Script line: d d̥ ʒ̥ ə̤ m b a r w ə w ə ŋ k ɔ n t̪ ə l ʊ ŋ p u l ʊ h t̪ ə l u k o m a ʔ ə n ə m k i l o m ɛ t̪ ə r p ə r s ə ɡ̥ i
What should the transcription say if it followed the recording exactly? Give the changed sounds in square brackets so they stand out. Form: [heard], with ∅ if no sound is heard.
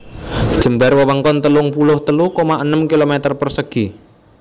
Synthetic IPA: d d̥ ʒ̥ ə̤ m b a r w ə w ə ŋ k ɔ n t̪ ə l ʊ ŋ p u l ʊ h t̪ ə l u k o m a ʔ ə n ə m k i l o m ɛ t̪ ə r p ə r s ə ɡ̥ i